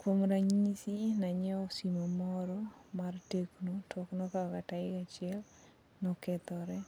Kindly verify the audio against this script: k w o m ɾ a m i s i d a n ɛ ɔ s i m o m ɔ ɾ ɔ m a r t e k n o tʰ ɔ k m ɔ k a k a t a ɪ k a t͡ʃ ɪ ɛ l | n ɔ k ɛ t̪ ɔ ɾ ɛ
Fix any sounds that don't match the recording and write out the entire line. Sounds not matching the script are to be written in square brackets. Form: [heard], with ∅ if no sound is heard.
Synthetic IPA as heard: k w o m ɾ a [ɲ] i s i [n] a [ɲ] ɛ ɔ s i m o m ɔ ɾ ɔ m a r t e k n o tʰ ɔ k [n] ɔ k a k a t a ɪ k a t͡ʃ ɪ ɛ l | n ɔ k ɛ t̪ ɔ ɾ ɛ